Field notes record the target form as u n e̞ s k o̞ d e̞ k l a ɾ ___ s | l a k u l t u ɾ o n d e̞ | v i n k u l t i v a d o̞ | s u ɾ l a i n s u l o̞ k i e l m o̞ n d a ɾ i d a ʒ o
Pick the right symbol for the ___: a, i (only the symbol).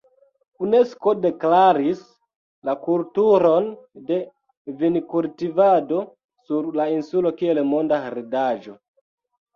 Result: i